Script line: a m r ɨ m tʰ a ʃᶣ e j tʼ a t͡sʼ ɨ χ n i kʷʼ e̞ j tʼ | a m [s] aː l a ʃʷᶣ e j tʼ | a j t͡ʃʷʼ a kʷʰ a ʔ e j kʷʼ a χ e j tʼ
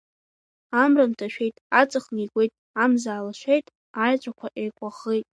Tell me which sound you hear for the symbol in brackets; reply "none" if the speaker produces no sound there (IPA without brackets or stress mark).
z